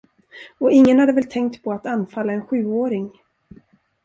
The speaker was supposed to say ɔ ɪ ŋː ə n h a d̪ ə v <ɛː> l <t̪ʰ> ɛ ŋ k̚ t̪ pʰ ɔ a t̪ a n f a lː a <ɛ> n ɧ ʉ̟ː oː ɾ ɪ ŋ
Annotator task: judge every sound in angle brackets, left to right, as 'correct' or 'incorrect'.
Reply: incorrect, correct, correct

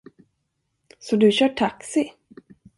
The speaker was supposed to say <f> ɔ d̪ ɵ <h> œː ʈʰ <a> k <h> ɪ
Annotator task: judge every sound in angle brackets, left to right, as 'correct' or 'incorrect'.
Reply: incorrect, incorrect, correct, incorrect

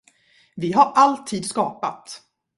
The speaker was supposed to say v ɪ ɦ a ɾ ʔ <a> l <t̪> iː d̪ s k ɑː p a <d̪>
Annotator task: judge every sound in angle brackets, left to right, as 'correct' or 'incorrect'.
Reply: correct, incorrect, incorrect

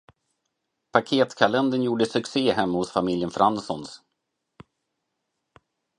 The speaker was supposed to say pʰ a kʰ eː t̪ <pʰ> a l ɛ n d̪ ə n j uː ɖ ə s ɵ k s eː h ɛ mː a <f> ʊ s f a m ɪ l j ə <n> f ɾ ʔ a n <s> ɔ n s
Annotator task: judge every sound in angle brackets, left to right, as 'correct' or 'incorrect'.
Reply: incorrect, incorrect, correct, correct

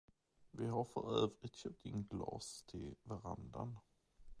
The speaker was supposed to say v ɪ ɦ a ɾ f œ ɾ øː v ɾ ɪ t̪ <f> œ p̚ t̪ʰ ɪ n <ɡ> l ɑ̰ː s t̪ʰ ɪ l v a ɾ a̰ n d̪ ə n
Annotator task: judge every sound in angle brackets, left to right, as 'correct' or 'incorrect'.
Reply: incorrect, correct

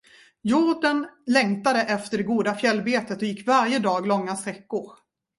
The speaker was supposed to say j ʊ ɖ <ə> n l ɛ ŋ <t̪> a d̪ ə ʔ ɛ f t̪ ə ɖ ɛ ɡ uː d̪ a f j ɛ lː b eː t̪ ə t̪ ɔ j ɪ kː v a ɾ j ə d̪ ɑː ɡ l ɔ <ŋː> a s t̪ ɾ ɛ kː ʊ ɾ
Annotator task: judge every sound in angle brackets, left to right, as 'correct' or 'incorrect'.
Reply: correct, correct, correct

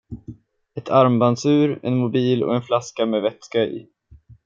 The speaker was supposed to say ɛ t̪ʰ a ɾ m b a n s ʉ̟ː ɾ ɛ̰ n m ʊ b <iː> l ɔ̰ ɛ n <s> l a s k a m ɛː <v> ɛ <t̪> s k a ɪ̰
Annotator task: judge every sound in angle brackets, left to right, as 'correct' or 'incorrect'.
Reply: correct, incorrect, correct, correct

